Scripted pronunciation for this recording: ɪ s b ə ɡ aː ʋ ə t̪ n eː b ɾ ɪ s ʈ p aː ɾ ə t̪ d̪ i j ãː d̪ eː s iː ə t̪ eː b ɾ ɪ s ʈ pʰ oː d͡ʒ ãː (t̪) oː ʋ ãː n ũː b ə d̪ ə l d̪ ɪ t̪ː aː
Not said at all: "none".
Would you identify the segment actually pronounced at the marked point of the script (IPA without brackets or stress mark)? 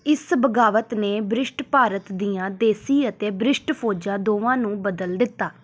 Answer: d̪